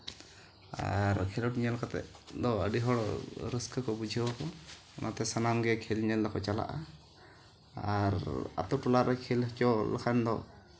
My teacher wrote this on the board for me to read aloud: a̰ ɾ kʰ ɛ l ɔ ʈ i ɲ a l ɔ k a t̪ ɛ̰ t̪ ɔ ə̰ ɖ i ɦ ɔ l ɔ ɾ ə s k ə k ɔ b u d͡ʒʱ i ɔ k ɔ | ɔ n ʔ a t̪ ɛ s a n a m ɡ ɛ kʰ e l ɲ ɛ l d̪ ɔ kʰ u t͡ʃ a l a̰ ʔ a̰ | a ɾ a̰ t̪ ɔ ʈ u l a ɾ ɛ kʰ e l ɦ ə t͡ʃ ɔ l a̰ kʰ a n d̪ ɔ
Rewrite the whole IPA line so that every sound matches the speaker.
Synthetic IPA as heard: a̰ ɾ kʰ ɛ l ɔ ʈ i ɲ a l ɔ k a t̪ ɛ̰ d̪ ɔ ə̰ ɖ i ɦ ɔ ɽ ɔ ɾ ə s k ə k ɔ b u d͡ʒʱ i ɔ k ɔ | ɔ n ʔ a t̪ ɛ s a n a m ɡ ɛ kʰ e l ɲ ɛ l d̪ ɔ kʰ ɔ t͡ʃ a l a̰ ʔ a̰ | a ɾ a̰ t̪ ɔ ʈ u l a ɾ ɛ kʰ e l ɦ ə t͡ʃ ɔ l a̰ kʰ a n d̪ ɔ